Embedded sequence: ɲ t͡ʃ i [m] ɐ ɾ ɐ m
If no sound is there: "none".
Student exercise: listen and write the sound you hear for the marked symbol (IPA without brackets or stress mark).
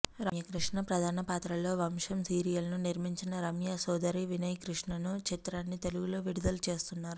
n